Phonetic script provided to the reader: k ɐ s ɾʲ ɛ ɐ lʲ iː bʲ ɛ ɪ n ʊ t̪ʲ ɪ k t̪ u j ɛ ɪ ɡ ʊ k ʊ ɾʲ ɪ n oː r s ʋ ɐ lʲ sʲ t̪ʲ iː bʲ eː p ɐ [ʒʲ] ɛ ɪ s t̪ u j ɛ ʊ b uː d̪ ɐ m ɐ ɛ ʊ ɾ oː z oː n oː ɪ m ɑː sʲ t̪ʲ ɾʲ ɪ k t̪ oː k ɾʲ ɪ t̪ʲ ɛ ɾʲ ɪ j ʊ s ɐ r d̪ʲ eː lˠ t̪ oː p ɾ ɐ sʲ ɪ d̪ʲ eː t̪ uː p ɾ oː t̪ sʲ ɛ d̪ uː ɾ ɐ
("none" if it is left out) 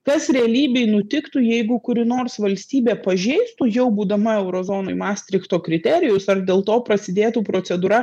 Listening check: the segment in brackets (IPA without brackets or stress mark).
ʒʲ